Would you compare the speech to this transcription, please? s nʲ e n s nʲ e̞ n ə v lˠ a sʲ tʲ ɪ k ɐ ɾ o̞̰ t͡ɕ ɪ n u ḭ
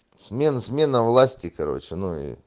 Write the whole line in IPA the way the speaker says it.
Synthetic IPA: s mʲ e n s mʲ e̞ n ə v lˠ a sʲ tʲ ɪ k ɐ ɾ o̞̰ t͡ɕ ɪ n u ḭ